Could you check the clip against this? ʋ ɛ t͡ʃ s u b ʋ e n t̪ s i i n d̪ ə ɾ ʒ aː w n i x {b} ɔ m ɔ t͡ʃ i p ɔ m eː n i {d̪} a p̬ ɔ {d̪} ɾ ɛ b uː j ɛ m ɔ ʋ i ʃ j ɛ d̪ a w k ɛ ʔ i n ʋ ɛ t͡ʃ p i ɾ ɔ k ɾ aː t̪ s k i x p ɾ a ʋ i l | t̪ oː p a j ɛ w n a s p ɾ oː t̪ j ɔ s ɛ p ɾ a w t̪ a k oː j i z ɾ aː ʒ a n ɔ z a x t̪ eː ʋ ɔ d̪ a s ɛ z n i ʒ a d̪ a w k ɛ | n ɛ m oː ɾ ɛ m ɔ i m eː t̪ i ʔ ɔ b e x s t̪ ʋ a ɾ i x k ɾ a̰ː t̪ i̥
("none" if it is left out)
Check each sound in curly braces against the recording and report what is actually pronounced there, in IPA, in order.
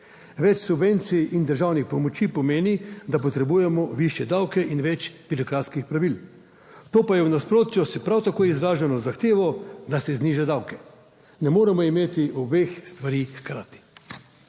p, d̪, t̪

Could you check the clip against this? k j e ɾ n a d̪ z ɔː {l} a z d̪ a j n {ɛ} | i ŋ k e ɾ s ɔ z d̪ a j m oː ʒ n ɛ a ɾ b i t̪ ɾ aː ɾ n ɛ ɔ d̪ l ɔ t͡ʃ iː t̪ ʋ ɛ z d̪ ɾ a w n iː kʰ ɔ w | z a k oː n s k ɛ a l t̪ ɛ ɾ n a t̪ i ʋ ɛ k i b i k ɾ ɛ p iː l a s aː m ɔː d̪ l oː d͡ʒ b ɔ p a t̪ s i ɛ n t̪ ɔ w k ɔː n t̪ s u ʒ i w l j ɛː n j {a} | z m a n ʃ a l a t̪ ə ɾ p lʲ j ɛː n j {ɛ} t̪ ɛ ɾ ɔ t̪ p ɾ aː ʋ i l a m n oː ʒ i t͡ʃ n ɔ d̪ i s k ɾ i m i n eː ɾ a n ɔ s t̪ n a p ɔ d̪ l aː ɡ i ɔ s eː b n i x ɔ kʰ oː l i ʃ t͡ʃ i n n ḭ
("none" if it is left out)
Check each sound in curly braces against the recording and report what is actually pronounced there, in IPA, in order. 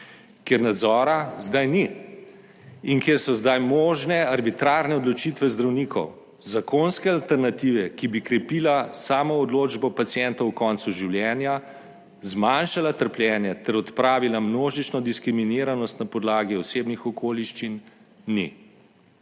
ɾ, i, a, ɛ

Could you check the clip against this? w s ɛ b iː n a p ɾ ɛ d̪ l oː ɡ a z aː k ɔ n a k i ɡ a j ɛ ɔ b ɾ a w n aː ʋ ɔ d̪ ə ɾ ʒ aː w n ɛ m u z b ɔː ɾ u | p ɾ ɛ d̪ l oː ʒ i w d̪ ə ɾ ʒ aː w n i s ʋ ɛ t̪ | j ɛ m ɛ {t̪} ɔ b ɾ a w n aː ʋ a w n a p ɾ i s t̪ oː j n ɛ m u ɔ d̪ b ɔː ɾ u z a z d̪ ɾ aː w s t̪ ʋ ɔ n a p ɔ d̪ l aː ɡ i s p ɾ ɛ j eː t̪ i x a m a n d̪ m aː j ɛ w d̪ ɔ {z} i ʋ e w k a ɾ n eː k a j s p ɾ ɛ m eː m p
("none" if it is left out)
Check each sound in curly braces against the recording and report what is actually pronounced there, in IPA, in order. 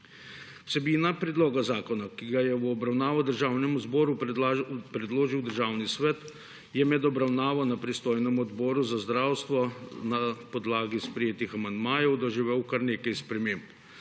d̪, ʒ

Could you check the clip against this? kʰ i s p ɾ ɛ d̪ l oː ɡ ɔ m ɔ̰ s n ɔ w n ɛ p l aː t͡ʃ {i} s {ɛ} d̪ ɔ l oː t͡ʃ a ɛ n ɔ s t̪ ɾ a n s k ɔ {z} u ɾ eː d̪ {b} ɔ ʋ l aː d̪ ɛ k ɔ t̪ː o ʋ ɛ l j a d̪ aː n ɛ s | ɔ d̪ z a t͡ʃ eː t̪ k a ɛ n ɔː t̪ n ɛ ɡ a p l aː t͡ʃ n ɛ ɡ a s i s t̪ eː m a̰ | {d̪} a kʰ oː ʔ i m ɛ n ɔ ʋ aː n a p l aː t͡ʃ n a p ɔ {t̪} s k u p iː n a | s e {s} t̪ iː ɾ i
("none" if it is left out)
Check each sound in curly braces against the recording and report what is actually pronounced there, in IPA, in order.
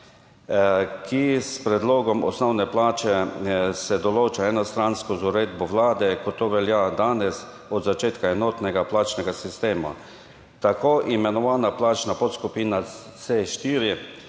ɛ, ɛ, z, b, t̪, t̪, ʃ

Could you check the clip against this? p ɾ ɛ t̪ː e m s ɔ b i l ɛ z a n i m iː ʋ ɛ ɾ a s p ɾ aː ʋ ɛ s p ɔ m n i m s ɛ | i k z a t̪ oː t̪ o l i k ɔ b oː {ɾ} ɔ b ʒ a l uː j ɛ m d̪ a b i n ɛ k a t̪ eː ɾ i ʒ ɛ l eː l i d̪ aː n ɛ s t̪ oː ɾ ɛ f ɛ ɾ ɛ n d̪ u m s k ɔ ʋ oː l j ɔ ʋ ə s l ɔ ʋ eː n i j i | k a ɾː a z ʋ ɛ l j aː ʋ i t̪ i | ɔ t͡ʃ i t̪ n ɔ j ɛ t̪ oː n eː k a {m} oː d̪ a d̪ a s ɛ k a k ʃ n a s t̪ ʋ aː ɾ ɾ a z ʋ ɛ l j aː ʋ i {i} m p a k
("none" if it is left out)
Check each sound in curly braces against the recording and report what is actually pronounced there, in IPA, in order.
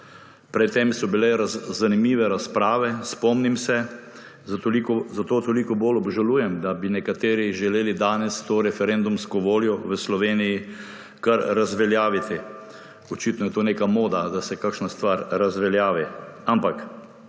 l, m, a

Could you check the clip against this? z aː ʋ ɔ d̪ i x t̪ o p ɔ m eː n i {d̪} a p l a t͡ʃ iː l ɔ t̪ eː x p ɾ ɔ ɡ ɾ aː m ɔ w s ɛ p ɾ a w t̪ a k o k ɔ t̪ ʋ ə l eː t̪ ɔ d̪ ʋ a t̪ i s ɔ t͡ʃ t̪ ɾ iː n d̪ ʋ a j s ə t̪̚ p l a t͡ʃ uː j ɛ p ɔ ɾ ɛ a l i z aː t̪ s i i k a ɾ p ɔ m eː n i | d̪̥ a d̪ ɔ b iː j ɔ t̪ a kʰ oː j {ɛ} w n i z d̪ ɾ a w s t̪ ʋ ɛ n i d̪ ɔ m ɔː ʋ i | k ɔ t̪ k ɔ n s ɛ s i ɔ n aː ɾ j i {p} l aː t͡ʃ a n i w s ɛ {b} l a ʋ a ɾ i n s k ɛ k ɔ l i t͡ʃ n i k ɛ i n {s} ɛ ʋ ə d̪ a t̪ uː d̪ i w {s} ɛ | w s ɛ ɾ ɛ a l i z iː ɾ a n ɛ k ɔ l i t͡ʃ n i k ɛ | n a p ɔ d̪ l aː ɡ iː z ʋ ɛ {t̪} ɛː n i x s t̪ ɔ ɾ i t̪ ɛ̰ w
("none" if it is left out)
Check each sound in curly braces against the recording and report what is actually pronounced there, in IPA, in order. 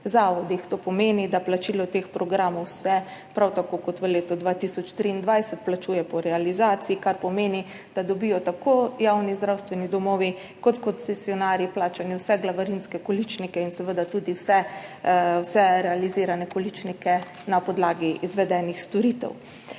d̪, a, p, ɡ, s, s, d̪

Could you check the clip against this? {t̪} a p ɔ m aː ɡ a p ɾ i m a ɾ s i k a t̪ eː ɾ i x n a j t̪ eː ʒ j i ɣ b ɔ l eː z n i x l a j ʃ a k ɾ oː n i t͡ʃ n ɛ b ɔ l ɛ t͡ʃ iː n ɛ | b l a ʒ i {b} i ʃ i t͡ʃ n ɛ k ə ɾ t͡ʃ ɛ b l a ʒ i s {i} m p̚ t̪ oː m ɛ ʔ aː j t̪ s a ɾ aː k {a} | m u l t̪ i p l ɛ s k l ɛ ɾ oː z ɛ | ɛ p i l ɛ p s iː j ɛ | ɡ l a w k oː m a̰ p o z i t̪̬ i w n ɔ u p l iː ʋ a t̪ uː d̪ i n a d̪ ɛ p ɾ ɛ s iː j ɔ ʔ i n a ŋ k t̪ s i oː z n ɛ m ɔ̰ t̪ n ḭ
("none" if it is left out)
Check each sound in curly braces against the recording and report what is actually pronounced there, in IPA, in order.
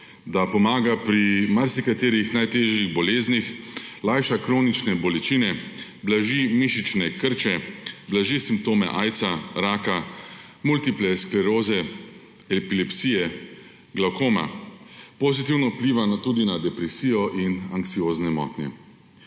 d̪, m, i, a

